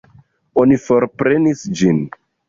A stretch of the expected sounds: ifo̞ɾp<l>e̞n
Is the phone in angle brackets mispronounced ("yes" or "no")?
yes